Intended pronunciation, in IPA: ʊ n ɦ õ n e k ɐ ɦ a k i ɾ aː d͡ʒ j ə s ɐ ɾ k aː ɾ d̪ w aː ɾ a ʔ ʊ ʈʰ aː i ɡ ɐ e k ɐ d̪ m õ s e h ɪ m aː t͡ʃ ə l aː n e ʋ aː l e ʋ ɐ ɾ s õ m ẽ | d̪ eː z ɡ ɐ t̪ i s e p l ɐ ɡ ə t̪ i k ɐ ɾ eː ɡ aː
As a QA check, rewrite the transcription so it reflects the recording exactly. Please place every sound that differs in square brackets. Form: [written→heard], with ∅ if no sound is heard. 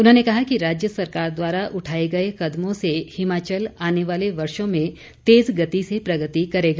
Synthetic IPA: ʊ n ɦ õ n e k ɐ ɦ a k i ɾ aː d͡ʒ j ə s ɐ ɾ k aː ɾ d̪ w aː ɾ a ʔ ʊ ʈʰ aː [i→e] ɡ ɐ e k ɐ d̪ m õ s e h ɪ m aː t͡ʃ ə l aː n e ʋ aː l e ʋ ɐ ɾ [s→ʃ] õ m ẽ | [d̪→t̪] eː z ɡ ɐ t̪ i s e p [l→ɾ] ɐ ɡ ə t̪ i k ɐ ɾ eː ɡ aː